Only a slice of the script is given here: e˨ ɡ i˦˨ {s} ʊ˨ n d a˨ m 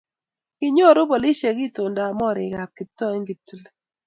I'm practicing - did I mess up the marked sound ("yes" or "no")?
yes